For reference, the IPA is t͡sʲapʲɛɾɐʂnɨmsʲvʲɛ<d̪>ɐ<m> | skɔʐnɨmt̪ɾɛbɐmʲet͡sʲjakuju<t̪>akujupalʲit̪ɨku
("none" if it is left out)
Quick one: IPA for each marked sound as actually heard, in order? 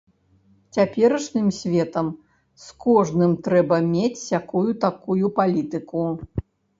t̪, m, t̪

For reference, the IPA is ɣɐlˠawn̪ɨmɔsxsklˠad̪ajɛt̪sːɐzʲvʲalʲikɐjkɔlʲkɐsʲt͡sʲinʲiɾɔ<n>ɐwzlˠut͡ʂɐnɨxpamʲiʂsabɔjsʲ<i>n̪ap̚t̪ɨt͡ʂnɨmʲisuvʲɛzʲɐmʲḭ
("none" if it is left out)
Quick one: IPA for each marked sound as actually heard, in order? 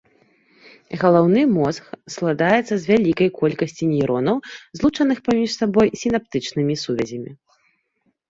n, i

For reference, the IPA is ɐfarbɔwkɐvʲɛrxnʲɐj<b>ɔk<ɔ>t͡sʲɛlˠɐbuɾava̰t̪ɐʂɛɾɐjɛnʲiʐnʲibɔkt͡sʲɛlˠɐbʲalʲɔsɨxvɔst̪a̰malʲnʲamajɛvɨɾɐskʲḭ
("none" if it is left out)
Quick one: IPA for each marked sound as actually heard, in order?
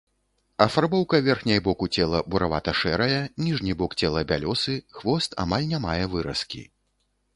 b, u

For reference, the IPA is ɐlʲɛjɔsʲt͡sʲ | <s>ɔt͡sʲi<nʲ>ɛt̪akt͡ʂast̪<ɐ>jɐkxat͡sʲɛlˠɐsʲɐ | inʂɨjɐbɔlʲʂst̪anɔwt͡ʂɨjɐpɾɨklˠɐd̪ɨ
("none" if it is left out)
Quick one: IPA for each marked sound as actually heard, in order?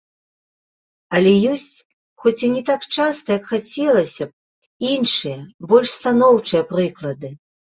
x, nʲ, ɐ

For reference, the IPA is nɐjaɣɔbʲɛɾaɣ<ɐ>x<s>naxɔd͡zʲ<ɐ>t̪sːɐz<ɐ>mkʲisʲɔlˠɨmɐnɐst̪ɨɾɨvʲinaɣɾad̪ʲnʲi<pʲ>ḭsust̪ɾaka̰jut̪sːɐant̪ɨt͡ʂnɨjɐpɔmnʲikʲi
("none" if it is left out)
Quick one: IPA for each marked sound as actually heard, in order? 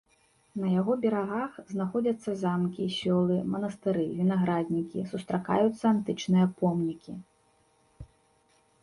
a, z, ɐ, a, kʲ

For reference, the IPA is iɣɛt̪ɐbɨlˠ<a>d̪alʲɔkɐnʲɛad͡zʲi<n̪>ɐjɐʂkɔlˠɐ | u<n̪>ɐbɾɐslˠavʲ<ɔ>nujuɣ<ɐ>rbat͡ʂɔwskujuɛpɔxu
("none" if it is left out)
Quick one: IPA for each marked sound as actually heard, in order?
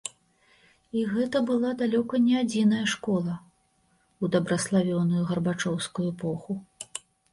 a, n̪, d̪, ɔ, ɐ

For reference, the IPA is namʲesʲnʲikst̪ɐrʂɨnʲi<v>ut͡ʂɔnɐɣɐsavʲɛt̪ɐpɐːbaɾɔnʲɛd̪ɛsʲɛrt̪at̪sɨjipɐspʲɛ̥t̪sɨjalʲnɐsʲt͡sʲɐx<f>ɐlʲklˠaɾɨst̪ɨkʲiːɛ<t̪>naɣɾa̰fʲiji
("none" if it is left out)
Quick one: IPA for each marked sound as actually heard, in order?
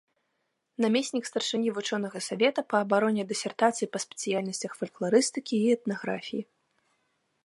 v, f, t̪

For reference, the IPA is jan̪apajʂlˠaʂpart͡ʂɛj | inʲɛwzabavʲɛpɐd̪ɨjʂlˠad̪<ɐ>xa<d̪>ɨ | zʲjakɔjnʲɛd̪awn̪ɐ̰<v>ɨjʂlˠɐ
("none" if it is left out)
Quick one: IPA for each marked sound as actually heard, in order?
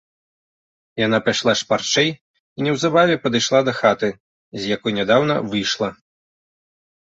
ɐ, t̪, v

